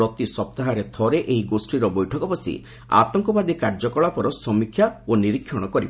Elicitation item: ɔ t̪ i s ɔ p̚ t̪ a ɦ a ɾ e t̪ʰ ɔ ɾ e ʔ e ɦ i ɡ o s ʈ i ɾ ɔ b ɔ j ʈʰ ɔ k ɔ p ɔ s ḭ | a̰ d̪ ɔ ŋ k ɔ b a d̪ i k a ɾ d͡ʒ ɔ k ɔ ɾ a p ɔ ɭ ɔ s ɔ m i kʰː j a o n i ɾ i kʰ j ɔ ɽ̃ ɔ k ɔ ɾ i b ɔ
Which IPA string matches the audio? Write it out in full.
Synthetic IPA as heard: ɔ t̪ i s ɔ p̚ t̪ a ɦ a ɾ e t̪ʰ ɔ ɾ e ʔ e ɦ i ɡ o s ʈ i ɾ ɔ b ɔ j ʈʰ ɔ k ɔ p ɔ s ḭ | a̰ t̪ ɔ ŋ k ɔ b a d̪ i k a ɾ d͡ʒ ɔ k ɔ ɭ a p ɔ ɾ ɔ s ɔ m i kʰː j a o n i ɾ i kʰ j ɔ ɽ̃ ɔ k ɔ ɾ i b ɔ